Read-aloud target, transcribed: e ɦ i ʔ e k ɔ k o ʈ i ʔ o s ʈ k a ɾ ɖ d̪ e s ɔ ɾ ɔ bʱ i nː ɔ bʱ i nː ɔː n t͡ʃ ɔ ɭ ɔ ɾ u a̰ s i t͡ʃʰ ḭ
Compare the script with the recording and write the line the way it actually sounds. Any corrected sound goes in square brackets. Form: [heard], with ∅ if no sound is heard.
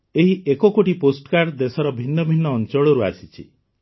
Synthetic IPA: e ɦ i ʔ e k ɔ k o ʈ i [p] o s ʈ k a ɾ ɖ d̪ e s ɔ ɾ ɔ bʱ i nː ɔ bʱ i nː ɔː n t͡ʃ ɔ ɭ ɔ ɾ u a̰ s i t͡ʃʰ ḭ

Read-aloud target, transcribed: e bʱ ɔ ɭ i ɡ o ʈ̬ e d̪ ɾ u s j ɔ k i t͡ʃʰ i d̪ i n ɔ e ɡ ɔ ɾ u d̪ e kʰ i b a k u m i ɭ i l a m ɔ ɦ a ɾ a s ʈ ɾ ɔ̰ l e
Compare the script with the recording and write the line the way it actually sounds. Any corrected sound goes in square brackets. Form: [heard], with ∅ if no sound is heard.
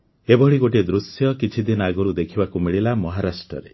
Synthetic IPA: e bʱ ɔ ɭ i ɡ o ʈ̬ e d̪ ɾ u s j ɔ k i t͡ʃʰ i d̪ i n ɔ [a] ɡ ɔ ɾ u d̪ e kʰ i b a k u m i ɭ i l a m ɔ ɦ a ɾ a s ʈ ɾ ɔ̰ [ɾ] e

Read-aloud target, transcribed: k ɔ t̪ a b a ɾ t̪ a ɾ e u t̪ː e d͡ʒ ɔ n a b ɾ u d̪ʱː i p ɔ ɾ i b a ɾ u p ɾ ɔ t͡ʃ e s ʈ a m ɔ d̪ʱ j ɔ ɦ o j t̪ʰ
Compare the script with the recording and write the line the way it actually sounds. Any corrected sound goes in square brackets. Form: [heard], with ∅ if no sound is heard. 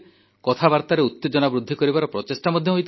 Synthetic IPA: k ɔ [t̪ʰ] a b a ɾ t̪ a ɾ e u t̪ː e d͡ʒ ɔ n a b ɾ u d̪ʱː i [k] ɔ ɾ i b a ɾ [ɔ] p ɾ ɔ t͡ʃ e s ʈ a m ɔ d̪ʱ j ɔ ɦ o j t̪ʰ

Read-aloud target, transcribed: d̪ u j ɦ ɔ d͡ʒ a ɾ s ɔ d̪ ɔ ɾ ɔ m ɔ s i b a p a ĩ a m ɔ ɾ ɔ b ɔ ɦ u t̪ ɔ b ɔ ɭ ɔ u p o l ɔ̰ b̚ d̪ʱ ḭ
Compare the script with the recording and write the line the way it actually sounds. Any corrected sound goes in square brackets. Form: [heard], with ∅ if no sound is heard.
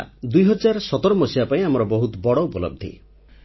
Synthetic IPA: d̪ u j ɦ ɔ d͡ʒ a ɾ s ɔ [t̪] ɔ ɾ ɔ m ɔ s i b a p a ĩ a m ɔ ɾ ɔ b ɔ ɦ u t̪ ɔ b ɔ [ɽ] ɔ u p [ɔ] l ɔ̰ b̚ d̪ʱ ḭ

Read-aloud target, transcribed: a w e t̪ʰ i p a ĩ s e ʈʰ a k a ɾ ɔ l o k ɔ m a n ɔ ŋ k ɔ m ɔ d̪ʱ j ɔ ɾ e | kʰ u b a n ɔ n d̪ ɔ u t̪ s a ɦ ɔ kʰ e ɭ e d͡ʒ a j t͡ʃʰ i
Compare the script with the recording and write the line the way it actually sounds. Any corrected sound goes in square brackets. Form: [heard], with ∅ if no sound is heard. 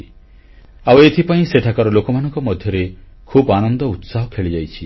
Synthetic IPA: a w e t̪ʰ i p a ĩ s e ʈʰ a k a ɾ ɔ l o k ɔ m a n ɔ ŋ k ɔ m ɔ d̪ʱ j ɔ ɾ e | kʰ u b a n ɔ n d̪ ɔ u t̪ s a ɦ ɔ kʰ e ɭ [i] d͡ʒ a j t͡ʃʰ i

